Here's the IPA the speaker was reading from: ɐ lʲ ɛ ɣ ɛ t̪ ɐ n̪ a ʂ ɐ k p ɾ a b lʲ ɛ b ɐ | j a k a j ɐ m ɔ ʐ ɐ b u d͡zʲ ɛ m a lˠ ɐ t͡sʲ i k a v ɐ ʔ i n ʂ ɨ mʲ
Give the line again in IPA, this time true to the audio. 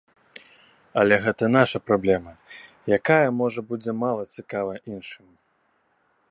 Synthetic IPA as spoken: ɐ lʲ ɛ ɣ ɛ t̪ ɐ n̪ a ʂ ɐ p ɾ a b lʲ ɛ m ɐ | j a k a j ɐ m ɔ ʐ ɐ b u d͡zʲ ɛ m a lˠ ɐ t͡sʲ i k a v ɐ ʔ i n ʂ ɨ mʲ